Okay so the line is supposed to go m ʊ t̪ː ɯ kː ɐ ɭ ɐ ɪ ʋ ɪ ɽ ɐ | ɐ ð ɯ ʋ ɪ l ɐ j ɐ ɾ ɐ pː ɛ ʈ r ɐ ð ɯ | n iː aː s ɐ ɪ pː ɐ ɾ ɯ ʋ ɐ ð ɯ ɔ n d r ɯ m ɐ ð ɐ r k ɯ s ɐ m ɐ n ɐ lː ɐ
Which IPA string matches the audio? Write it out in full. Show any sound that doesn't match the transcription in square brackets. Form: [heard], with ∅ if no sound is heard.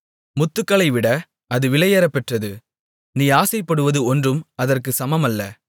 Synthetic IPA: m ʊ t̪ː ɯ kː ɐ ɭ ɐ ɪ ʋ ɪ ɽ ɐ | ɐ ð ɯ ʋ ɪ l ɐ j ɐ ɾ ɐ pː ɛ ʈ r ɐ ð ɯ | n iː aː s ɐ ɪ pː ɐ [ɽ] ɯ ʋ ɐ ð ɯ ɔ n d r ɯ m ɐ ð ɐ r k ɯ s ɐ m ɐ [m] ɐ lː ɐ